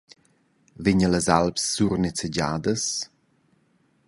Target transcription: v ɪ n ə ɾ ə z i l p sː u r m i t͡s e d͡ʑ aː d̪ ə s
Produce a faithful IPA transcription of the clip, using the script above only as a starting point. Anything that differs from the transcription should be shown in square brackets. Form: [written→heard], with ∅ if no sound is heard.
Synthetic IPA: v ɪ [n→ɲ] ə [ɾ→l] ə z [i→a] l p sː u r [m→n] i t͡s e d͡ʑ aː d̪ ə s